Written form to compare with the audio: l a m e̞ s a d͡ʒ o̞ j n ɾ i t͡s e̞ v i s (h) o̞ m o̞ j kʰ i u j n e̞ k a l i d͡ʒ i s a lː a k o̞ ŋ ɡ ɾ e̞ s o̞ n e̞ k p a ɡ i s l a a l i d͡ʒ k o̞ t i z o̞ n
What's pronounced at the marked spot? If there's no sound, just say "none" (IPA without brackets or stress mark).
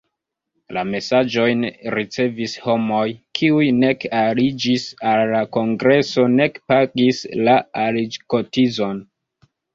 h